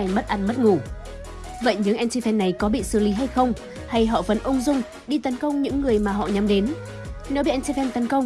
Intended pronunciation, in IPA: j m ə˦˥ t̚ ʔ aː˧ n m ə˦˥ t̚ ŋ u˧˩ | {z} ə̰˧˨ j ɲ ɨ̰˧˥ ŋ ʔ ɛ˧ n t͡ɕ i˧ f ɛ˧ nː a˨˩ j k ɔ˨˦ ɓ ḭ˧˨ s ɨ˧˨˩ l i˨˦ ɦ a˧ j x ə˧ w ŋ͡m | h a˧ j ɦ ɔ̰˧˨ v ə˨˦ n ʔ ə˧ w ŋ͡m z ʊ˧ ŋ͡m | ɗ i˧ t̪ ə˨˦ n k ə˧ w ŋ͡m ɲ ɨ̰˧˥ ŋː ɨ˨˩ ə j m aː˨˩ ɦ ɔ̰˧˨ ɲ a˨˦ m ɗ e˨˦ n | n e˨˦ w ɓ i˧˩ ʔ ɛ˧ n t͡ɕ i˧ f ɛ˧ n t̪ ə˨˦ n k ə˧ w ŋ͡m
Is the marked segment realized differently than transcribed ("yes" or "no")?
yes